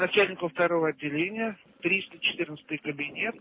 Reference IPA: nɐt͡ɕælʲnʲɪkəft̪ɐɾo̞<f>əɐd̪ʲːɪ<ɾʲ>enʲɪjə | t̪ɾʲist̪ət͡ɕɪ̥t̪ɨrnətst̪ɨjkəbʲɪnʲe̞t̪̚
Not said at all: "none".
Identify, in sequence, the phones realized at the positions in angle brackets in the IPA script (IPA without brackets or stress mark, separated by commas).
v, lʲ